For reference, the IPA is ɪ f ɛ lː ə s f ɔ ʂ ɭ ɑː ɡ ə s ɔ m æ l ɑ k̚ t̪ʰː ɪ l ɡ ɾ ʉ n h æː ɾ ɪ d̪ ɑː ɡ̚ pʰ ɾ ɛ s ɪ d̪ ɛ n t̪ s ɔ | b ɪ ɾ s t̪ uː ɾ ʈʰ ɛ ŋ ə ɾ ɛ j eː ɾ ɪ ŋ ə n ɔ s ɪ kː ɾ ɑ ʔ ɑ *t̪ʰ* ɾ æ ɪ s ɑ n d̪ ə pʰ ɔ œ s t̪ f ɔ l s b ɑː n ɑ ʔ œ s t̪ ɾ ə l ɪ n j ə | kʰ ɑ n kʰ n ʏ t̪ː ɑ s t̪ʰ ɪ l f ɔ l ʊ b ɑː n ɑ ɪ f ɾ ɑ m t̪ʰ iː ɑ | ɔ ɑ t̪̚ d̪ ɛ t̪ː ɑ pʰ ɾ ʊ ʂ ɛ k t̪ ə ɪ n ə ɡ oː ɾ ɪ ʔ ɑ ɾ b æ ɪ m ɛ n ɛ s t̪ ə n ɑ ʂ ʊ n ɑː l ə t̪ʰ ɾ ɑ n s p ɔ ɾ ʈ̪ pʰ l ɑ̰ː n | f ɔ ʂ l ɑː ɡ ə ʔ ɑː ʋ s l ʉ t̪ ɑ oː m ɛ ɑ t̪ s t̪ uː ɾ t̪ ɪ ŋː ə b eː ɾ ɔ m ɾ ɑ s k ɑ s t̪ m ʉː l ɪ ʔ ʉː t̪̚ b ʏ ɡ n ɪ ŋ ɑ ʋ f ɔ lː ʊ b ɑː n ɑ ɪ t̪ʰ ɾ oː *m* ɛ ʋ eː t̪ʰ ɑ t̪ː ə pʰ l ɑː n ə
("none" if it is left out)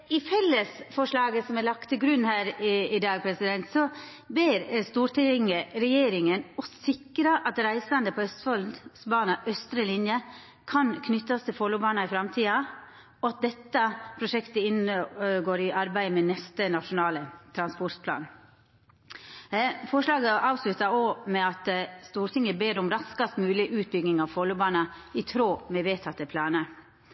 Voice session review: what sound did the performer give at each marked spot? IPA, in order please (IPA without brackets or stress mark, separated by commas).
t̪, m